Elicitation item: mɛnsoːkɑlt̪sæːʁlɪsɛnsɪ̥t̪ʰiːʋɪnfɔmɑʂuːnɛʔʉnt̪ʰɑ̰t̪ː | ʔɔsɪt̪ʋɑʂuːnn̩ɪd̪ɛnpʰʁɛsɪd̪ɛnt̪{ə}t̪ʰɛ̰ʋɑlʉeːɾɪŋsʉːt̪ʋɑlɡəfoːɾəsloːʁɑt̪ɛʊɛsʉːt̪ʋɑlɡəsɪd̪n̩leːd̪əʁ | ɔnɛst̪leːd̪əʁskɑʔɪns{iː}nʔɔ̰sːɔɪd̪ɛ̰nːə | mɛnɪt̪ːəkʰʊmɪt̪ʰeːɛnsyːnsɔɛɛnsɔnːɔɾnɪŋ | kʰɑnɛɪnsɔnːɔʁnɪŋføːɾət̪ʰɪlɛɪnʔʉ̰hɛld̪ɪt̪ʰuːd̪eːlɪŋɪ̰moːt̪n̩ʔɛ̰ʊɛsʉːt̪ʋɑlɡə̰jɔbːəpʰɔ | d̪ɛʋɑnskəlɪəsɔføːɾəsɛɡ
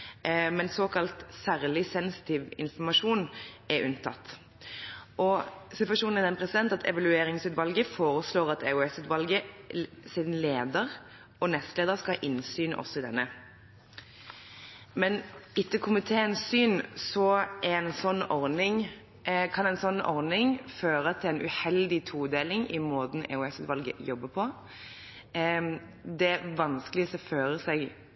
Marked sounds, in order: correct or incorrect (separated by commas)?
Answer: incorrect, incorrect